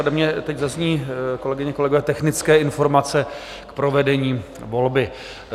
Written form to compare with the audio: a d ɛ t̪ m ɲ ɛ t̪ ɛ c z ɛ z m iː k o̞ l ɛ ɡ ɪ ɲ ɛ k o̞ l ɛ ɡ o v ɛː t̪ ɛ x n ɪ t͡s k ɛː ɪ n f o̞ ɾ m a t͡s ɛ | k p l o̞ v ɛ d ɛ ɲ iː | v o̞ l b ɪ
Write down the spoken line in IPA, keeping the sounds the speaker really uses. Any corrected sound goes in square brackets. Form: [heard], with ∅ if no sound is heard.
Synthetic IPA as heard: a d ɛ [∅] m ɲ ɛ t̪ ɛ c z [a] z [ɲ] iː k o̞ l ɛ ɡ ɪ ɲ ɛ k o̞ l ɛ ɡ o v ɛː t̪ ɛ x n ɪ t͡s k ɛː ɪ n f o̞ ɾ m a t͡s ɛ | k p [ɾ] o̞ v ɛ d ɛ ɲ iː | v o̞ l b ɪ

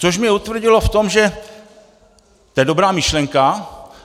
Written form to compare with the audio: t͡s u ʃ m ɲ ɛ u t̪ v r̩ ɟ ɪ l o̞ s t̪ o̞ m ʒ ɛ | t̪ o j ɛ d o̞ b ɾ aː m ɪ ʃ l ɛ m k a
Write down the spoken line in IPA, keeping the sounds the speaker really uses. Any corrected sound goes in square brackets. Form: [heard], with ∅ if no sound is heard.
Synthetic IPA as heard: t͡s [o] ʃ m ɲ ɛ u t̪ v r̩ ɟ ɪ l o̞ [f] t̪ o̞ m ʒ ɛ | t̪ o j ɛ d o̞ b ɾ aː m ɪ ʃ l ɛ [ŋ] k a

